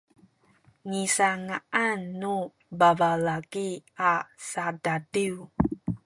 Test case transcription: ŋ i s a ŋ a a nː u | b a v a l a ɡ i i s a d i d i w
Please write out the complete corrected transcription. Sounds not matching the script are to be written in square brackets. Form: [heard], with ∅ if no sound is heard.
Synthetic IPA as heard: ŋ i s a ŋ a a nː u | b a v a l a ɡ i [a] s a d [a] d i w